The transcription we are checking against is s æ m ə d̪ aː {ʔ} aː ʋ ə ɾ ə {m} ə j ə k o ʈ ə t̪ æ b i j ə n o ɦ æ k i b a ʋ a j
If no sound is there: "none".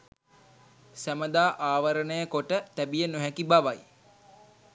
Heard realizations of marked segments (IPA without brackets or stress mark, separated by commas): ʔ, n